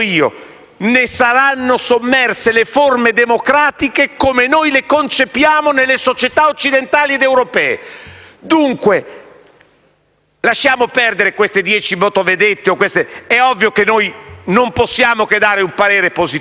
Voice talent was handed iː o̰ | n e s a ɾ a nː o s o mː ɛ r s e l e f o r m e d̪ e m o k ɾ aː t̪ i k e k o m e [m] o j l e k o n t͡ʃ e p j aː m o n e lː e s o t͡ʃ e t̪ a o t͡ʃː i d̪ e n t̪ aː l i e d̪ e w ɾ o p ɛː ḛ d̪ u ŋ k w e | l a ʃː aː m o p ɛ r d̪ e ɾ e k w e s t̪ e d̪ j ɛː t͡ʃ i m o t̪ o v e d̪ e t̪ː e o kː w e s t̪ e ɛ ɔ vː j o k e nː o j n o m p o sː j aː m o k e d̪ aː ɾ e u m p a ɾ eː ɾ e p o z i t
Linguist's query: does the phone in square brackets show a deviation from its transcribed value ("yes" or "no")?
yes